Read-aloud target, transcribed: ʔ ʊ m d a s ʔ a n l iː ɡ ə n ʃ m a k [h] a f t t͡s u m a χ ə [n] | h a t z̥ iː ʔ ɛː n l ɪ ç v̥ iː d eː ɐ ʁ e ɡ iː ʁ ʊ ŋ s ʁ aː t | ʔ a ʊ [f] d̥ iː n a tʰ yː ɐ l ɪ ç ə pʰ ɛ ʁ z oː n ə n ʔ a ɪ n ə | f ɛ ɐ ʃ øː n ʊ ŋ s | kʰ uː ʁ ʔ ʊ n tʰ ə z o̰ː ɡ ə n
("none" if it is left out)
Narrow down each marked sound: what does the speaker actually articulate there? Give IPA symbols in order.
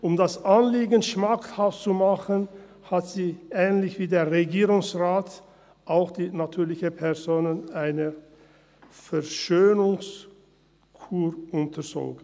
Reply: h, n, x

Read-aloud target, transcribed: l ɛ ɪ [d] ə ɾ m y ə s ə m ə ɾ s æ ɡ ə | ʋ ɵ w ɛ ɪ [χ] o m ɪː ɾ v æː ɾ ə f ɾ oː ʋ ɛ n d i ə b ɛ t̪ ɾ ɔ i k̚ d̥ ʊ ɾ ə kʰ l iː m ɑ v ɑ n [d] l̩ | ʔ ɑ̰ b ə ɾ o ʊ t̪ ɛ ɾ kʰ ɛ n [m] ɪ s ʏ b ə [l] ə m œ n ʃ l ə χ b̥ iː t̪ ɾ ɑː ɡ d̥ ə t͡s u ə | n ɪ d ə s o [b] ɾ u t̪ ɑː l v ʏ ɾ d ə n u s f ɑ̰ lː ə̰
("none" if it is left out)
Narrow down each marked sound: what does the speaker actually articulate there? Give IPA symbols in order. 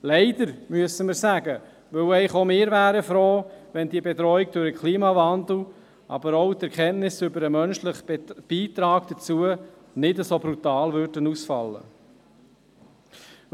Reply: d, χ, d, n, ɾ, b

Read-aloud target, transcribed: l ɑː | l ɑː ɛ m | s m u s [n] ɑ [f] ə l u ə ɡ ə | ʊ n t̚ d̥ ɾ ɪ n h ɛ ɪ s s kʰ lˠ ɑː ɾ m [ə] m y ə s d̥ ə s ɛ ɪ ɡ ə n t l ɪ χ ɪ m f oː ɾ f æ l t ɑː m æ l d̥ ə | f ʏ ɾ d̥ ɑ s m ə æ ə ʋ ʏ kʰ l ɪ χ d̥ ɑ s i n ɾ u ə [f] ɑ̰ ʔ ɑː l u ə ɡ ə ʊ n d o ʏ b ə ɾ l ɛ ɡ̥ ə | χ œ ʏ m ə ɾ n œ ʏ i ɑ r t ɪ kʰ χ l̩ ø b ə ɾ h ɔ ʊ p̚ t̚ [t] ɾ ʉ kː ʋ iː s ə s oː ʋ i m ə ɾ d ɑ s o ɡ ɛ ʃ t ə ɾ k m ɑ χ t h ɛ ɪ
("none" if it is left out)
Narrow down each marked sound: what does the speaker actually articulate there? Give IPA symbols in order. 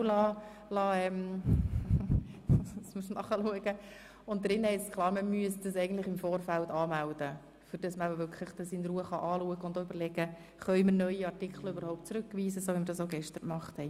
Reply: n, χ, ə, χ, t͡s

